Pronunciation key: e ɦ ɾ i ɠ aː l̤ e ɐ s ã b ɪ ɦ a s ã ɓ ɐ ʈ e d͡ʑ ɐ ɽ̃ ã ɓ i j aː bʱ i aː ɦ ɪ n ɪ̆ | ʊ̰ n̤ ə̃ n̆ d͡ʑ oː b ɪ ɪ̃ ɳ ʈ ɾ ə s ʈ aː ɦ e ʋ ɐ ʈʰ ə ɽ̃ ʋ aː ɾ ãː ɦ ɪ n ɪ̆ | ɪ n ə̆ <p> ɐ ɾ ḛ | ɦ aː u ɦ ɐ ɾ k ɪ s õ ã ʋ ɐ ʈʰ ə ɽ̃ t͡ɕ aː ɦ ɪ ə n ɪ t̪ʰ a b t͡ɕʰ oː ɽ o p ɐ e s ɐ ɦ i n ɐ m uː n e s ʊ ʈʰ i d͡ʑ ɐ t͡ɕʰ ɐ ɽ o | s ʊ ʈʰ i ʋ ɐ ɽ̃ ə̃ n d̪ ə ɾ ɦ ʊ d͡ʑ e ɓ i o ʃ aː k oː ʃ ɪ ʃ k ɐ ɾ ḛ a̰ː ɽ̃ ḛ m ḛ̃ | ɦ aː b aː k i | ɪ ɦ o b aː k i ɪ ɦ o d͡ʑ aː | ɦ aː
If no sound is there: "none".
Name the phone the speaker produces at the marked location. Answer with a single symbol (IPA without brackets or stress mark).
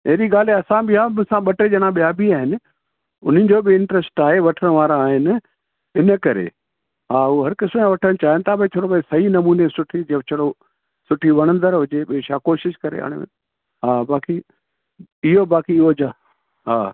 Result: k